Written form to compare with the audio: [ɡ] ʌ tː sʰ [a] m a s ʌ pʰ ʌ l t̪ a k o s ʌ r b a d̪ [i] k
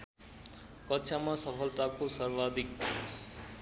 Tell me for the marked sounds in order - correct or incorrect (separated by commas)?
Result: incorrect, correct, correct